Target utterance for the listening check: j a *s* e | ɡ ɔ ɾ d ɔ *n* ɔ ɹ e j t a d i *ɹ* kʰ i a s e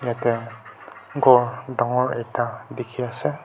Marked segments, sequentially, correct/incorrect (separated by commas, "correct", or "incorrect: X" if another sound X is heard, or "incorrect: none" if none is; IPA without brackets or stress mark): incorrect: t, incorrect: ŋ, incorrect: none